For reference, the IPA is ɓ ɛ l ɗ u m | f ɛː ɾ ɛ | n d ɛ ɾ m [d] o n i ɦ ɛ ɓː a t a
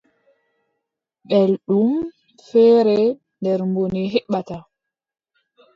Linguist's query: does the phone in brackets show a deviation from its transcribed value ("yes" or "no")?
yes